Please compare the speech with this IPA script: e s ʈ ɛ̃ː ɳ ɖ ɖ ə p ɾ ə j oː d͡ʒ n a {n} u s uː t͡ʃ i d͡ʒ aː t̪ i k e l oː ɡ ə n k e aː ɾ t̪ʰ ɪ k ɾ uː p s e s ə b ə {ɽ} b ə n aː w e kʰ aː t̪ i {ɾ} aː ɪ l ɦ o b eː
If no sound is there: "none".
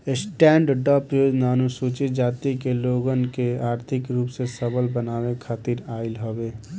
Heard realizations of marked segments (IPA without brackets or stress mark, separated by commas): n, l, ɾ